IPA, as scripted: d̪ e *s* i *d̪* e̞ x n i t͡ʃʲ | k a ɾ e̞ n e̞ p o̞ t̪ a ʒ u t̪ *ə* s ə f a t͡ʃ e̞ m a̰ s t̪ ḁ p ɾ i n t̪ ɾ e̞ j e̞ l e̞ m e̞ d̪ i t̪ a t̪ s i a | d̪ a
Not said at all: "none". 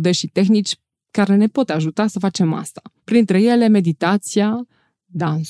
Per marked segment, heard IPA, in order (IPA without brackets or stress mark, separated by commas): ʃ, t̪, a